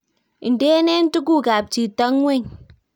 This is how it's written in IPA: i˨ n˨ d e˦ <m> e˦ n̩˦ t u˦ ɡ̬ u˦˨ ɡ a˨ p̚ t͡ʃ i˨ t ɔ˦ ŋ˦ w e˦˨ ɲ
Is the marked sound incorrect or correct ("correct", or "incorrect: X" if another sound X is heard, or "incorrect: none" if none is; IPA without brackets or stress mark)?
incorrect: n